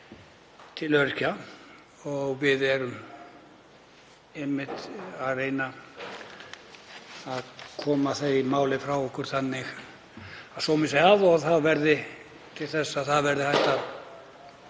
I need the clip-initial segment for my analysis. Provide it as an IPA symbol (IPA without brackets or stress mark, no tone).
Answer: t̪ʰ